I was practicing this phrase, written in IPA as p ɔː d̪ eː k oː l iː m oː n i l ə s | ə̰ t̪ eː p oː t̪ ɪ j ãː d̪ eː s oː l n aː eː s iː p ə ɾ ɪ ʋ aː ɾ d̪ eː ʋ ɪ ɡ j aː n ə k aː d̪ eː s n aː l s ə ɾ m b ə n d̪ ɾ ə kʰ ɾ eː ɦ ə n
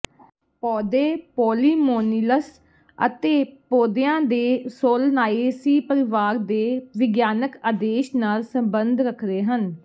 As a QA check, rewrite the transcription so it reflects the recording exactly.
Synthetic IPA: p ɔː d̪ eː p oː l iː m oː n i l ə s | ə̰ t̪ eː p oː d̪ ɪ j ãː d̪ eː s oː l n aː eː s iː p ə ɾ ɪ ʋ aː ɾ d̪ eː ʋ ɪ ɡ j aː n ə k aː d̪ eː ʃ n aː l s ə m b ə n d̪ ɾ ə kʰ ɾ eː ɦ ə n

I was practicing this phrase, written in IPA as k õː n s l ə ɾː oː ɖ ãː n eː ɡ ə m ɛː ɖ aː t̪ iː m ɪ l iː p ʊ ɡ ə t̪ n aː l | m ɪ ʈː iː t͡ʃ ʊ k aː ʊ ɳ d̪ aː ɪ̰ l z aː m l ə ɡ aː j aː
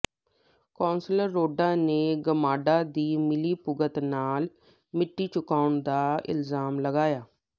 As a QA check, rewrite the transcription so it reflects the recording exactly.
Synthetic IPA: k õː n s l ə ɾː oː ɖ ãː n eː ɡ ə m aː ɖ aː d̪ iː m ɪ l iː p ʊ ɡ ə t̪ n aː l | m ɪ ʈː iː t͡ʃ ʊ k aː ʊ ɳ d̪ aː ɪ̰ l z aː m l ə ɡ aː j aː

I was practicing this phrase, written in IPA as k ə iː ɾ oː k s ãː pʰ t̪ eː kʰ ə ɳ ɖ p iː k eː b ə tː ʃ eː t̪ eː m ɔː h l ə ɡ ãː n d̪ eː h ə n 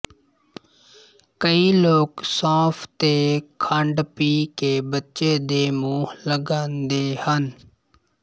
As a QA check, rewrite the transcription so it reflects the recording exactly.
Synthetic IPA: k ə iː l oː k s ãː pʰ t̪ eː kʰ ə ɳ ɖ p iː k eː b ə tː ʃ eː d̪ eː m uː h l ə ɡ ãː n d̪ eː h ə n

